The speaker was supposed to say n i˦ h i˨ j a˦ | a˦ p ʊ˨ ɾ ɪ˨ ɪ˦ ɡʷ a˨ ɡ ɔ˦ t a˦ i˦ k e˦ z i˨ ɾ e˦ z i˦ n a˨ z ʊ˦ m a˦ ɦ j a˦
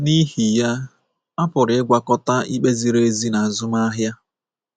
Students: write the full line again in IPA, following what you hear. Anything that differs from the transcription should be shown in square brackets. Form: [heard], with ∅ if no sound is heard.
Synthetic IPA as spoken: n i˦ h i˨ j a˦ | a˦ p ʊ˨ ɾ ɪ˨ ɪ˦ ɡʷ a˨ [k] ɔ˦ t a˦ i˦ [k͡p] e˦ z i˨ ɾ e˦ z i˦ n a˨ z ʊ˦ m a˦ ɦ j a˦